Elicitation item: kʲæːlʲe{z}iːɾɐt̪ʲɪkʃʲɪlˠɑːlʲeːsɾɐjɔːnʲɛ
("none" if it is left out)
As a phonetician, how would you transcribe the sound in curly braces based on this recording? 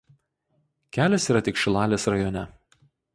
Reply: s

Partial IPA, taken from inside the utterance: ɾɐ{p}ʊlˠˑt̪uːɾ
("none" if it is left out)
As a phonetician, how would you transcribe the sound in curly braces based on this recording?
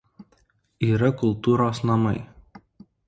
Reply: k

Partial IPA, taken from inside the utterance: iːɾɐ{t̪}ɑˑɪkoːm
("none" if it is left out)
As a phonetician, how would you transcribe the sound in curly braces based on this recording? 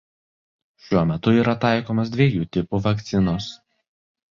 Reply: t̪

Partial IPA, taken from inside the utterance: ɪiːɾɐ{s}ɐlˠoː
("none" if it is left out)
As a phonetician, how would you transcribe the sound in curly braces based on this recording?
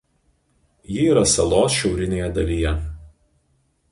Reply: s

